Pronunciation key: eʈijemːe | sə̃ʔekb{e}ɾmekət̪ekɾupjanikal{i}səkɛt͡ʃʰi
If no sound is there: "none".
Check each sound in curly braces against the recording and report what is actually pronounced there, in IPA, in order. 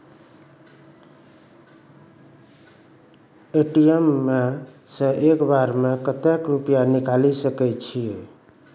a, i

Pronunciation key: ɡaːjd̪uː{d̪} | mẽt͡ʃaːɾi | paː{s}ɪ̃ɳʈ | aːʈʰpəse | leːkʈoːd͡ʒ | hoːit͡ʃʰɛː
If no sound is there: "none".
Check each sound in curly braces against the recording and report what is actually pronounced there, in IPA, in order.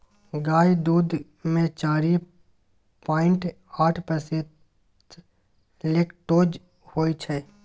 d̪, none

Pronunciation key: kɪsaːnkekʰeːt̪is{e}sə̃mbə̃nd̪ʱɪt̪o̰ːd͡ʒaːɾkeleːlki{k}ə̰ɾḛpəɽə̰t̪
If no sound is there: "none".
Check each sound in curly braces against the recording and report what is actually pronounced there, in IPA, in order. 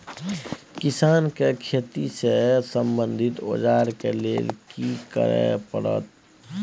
e, k

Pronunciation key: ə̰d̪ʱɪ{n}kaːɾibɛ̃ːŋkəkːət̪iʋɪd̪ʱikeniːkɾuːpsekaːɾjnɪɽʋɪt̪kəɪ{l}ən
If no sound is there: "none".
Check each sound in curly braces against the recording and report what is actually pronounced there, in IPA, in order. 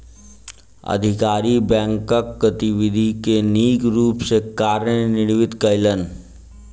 none, l

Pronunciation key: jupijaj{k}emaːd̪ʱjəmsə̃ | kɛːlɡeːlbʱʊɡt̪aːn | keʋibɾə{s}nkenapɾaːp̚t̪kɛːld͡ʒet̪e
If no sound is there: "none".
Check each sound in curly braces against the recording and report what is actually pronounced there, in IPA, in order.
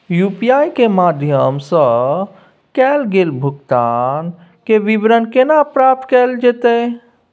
k, none

